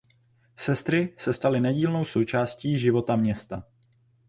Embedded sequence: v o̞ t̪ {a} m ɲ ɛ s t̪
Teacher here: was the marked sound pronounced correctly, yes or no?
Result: yes